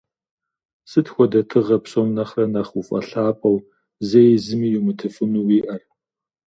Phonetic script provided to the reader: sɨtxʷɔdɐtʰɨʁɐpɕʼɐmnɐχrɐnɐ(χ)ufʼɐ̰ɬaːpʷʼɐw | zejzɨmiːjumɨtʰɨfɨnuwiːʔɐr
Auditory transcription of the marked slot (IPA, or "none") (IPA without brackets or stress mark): χ